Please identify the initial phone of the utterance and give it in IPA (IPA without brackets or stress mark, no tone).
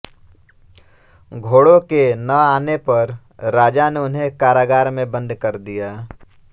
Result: ɡʱ